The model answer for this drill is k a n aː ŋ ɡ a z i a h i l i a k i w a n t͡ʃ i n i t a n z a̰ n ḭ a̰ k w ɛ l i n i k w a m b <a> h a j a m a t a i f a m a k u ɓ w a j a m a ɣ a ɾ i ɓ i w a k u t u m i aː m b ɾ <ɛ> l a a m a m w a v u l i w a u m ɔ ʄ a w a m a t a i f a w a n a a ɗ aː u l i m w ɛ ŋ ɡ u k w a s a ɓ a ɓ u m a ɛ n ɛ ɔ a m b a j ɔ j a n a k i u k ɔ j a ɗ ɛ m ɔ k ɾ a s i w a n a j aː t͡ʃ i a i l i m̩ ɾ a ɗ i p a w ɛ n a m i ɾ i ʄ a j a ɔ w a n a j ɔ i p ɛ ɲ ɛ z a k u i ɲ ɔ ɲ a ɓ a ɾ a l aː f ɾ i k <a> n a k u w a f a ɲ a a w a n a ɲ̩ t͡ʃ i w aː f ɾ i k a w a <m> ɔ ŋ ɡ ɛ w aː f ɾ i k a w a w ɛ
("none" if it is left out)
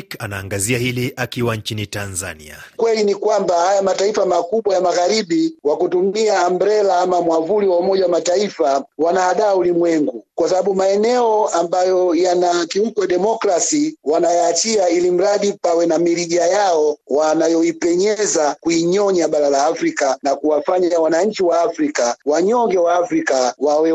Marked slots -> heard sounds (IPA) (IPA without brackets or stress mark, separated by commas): a, ɛ, a, ɲ